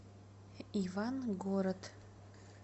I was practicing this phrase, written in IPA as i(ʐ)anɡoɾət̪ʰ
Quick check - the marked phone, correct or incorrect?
incorrect